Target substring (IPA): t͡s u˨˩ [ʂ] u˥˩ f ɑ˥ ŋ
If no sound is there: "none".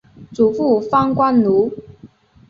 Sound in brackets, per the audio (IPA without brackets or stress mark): f